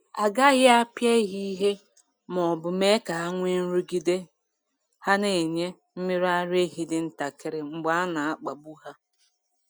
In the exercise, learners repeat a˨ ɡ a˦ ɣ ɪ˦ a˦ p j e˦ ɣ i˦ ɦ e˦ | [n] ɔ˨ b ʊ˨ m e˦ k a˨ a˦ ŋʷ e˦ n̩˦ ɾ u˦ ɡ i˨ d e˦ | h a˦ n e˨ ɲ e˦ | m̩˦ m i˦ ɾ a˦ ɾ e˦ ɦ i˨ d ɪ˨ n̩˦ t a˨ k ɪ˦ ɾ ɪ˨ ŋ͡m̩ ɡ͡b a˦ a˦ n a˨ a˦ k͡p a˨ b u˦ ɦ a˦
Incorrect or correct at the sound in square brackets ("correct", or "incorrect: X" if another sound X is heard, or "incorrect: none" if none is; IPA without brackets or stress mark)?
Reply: incorrect: m